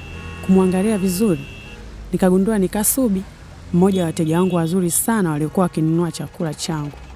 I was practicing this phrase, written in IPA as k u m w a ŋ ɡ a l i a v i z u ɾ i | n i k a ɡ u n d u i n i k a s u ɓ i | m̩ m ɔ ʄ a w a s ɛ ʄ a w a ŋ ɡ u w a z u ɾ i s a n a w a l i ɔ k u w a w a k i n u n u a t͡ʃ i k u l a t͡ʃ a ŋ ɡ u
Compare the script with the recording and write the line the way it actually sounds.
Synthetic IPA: k u m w a ŋ ɡ a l i a v i z u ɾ i | n i k a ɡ u n d u a n i k a s u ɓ i | m̩ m ɔ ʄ a w a t ɛ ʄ a w a ŋ ɡ u w a z u ɾ i s a n a w a l i ɔ k u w a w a k i n u n u a t͡ʃ a k u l a t͡ʃ a ŋ ɡ u